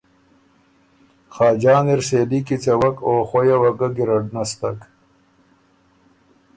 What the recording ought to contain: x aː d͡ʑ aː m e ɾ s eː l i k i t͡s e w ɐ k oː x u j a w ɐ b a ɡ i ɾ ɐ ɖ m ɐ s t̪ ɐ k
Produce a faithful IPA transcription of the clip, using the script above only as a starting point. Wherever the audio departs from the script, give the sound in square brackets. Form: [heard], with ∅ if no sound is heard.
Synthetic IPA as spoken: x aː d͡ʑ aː [n] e ɾ s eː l i k i t͡s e w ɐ k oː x [o] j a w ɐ [ɡ] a ɡ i ɾ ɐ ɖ [n] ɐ s t̪ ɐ k